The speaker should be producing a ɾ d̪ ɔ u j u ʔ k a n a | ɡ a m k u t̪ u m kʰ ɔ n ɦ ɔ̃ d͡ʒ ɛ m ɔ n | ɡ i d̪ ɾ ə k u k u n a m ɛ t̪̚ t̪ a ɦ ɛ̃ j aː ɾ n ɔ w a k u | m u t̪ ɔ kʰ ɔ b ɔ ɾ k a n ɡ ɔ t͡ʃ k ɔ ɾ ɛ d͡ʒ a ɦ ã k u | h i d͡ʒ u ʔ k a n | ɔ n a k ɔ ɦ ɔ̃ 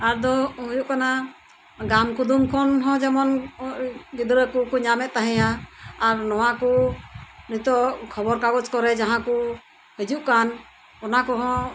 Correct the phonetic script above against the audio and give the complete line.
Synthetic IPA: a ɾ d̪ ɔ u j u ʔ k a n a | ɡ a m k u d̪ u m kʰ ɔ n ɦ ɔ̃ d͡ʒ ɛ m ɔ n | ɡ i d̪ ɾ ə k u k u ɲ a m ɛ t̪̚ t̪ a ɦ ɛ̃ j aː ɾ n ɔ w a k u | n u t̪ ɔ kʰ ɔ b ɔ ɾ k a ɡ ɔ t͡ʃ k ɔ ɾ ɛ d͡ʒ a ɦ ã k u | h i d͡ʒ u ʔ k a n | ɔ n a k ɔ ɦ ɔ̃